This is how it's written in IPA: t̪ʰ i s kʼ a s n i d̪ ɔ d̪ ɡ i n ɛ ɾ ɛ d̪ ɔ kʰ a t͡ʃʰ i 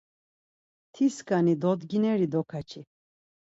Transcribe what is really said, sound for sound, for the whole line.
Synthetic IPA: t̪ʰ i s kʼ a n i d̪ ɔ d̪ ɡ i n ɛ ɾ i d̪ ɔ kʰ a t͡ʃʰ i